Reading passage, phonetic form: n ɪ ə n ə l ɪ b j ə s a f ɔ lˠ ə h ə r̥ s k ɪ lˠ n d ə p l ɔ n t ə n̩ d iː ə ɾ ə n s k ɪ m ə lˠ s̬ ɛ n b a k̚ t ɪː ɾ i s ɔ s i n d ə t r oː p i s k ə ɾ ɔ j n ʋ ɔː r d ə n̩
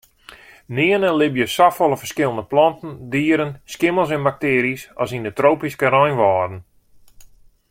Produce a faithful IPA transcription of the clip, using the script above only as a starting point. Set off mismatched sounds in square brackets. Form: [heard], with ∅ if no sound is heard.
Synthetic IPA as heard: n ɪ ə n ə l ɪ b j ə s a f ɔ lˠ ə [f] ə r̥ s k ɪ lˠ n d ə p l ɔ n t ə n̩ d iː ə ɾ ə n s k ɪ m ə lˠ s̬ ɛ n b a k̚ t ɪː ɾ i s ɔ s i n d ə t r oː p i s k ə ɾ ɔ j n ʋ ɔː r d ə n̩

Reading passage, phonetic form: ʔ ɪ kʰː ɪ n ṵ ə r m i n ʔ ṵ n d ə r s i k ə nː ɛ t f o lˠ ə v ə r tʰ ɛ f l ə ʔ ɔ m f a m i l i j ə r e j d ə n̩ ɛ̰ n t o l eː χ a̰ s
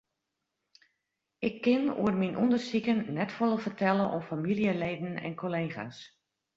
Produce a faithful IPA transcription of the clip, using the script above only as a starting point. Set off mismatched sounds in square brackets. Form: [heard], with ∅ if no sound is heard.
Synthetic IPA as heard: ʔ ɪ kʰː ɪ n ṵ ə r m i n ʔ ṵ n d ə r s i k ə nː ɛ t f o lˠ ə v ə r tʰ ɛ [∅] l ə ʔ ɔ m f a m i l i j ə [l] e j d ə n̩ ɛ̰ n [k] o l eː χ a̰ s

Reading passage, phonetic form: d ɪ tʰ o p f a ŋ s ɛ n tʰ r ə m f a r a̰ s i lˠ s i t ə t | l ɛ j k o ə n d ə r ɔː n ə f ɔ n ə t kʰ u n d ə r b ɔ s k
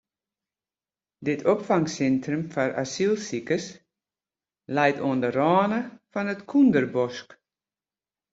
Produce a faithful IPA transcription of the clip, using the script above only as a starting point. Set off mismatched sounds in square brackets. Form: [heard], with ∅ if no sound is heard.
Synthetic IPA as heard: d ɪ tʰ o p f a ŋ s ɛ n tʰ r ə m f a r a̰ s i lˠ s i [k] ə [s] | l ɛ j [t] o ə n d ə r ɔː n ə f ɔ n ə t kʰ u n d ə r b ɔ s k

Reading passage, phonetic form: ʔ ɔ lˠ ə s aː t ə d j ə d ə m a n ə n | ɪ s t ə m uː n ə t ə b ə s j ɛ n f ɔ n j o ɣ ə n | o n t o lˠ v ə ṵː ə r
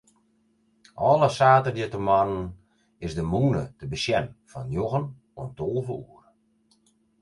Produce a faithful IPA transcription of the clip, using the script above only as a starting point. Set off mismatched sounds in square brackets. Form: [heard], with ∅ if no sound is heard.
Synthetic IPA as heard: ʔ ɔ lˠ ə s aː t ə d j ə [t] ə m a n ə n | ɪ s [d] ə m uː n ə t ə b ə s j ɛ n f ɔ n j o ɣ ə n | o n t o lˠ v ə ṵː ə r

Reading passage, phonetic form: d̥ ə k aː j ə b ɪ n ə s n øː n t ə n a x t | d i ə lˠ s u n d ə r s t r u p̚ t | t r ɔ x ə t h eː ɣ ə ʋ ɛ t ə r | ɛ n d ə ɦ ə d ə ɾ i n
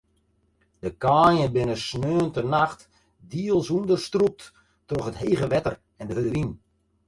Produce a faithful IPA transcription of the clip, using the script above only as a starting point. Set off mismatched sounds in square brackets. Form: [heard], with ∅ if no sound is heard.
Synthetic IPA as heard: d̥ ə k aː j ə b ɪ n ə s n øː n t ə n a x t | d i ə lˠ s u n d ə r s t r u p̚ t | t r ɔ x ə t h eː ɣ ə ʋ ɛ t ə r | ɛ n d ə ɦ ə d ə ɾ i n

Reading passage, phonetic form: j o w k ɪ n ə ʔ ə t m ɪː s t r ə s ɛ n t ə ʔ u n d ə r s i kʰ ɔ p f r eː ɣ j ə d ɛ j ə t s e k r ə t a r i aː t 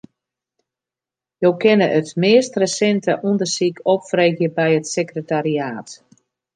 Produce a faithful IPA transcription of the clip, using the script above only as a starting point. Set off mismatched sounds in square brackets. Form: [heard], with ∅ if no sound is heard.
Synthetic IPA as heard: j o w k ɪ n ə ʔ ə t m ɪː s t r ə s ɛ n t ə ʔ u n d ə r s i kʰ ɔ p f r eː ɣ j ə [b] ɛ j ə t s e k r ə t a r i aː t

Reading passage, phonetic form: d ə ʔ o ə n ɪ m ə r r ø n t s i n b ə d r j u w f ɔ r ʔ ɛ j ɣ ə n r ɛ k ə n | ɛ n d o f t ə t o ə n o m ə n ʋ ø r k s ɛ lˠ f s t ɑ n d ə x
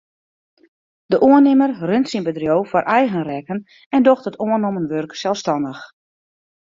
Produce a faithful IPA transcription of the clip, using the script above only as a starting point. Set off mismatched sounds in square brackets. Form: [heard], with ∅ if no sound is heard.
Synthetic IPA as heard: d ə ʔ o ə n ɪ m ə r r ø n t s i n b ə d r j [o] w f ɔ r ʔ ɛ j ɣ ə n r ɛ k ə n | ɛ n d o [x] t ə t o ə n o m ə n ʋ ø r k s ɛ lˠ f s t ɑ n d ə x

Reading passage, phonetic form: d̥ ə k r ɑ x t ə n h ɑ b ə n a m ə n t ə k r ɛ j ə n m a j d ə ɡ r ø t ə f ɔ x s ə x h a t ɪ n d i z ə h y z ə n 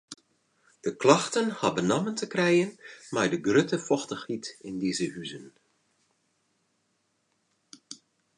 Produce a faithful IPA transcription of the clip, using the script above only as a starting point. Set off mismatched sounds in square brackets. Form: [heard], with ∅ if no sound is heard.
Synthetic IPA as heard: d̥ ə k [l] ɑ x t ə n h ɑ b ə n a m ə n t ə k r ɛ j ə n m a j d ə ɡ r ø t ə f ɔ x [t] ə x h [i] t ɪ n d i z ə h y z ə n

